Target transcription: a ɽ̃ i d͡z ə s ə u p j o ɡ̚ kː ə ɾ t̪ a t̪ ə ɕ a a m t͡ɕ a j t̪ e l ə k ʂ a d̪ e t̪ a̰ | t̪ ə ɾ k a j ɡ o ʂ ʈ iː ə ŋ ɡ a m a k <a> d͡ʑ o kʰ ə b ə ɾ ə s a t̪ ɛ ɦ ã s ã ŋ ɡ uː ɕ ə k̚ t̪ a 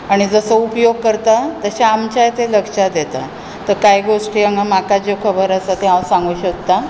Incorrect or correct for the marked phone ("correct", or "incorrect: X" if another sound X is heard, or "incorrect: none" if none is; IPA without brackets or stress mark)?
correct